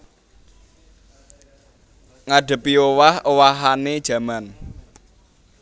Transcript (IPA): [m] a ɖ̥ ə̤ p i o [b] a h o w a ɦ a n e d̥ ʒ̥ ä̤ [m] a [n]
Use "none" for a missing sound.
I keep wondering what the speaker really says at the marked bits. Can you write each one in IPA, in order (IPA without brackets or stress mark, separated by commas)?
ŋ, w, m, n